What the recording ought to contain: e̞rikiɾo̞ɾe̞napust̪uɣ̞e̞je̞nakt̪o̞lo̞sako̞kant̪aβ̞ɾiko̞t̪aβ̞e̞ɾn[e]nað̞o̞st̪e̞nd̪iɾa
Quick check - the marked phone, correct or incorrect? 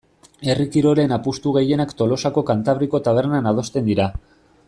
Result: incorrect